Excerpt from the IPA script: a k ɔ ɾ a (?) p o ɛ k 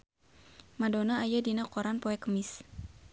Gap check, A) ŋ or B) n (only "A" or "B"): B